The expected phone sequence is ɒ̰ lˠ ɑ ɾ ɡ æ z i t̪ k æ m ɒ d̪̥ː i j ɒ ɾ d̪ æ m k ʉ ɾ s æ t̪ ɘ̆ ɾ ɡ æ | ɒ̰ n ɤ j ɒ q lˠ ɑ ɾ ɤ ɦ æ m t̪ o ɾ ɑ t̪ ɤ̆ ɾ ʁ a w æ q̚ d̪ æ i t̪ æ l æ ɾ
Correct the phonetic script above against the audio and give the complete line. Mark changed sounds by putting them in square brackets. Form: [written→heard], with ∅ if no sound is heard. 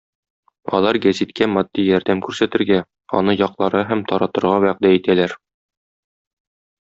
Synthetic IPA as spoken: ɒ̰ lˠ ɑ ɾ ɡ æ z i t̪ k æ m ɒ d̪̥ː i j ɒ ɾ d̪ æ m k ʉ ɾ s æ t̪ ɘ̆ ɾ ɡ æ | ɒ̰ n ɤ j ɒ q lˠ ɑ ɾ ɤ ɦ æ m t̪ [o→ɒ] ɾ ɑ t̪ ɤ̆ ɾ ʁ [a→ɑ] w æ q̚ d̪ æ i t̪ æ l æ ɾ